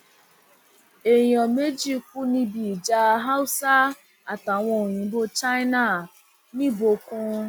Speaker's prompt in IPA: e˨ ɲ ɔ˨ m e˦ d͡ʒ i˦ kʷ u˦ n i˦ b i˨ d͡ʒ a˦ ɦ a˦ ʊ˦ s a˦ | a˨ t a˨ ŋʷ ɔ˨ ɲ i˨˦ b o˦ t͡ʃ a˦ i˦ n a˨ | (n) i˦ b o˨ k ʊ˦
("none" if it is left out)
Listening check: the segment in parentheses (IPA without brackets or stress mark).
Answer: n